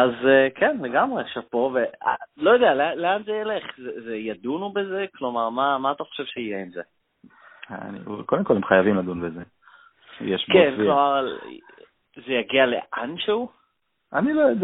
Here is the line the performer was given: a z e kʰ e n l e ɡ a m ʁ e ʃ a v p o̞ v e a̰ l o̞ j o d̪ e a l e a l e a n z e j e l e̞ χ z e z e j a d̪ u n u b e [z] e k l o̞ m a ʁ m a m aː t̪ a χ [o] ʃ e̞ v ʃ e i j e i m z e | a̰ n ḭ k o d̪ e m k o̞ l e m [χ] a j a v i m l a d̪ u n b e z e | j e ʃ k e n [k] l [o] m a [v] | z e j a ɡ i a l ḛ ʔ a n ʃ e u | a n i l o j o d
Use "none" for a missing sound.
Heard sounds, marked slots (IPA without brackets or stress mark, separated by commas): z, o, χ, k, o, ʁ